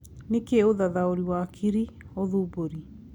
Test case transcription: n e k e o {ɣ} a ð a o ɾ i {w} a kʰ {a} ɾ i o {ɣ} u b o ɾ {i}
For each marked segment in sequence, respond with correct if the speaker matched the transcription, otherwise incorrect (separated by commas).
incorrect, correct, incorrect, incorrect, correct